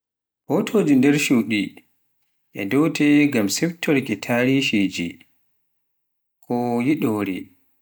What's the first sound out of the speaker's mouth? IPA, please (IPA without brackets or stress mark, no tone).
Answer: h